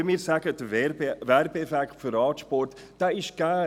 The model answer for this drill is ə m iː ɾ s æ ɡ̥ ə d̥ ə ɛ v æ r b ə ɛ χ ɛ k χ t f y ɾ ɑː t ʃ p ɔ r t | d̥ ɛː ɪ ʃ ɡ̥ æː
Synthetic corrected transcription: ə m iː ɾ s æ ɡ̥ ə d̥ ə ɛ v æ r b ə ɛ f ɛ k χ t f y ɾ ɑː t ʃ p ɔ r t | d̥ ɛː ɪ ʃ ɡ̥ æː